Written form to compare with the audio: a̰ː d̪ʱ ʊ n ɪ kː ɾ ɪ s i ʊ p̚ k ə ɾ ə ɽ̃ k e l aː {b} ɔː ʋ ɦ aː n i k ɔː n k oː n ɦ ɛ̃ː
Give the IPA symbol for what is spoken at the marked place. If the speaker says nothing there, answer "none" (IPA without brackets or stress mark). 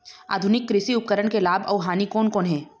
b